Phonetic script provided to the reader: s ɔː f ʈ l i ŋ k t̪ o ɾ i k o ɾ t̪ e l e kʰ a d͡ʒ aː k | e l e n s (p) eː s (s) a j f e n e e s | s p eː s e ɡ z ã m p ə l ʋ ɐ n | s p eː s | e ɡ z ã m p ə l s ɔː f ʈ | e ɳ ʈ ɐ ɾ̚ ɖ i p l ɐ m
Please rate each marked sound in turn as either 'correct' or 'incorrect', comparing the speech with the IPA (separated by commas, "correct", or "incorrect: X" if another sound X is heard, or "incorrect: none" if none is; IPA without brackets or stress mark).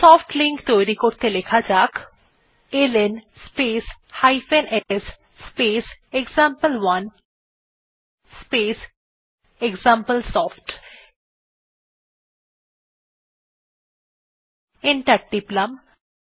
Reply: correct, incorrect: h